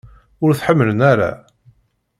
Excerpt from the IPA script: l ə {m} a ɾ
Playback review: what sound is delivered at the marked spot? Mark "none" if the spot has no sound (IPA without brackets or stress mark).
n